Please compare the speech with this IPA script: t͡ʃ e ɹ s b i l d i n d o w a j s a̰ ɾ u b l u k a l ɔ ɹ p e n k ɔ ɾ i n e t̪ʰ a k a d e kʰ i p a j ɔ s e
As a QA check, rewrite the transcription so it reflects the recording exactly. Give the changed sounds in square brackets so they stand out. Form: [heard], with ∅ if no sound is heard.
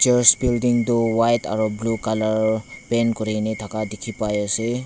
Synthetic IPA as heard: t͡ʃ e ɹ s b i l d i [ŋ] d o w a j [t] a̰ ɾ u b l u k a l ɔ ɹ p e n k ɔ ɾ i n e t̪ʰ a k a d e kʰ i p a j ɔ s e